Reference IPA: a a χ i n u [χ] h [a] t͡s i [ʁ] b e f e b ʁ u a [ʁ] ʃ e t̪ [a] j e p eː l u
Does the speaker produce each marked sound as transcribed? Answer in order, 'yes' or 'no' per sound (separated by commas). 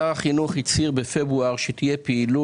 yes, no, yes, yes, no